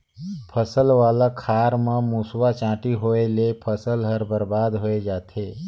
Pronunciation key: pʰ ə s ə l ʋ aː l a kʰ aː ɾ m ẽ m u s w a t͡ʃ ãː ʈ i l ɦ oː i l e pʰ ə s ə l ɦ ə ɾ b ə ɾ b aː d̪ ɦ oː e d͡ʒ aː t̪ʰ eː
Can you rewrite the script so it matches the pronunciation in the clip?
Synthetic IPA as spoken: pʰ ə s ə l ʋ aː l a kʰ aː ɾ m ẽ m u s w a t͡ʃ ãː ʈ i ɦ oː e l e pʰ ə s ə l ɦ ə ɾ b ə ɾ b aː d̪ ɦ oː e d͡ʒ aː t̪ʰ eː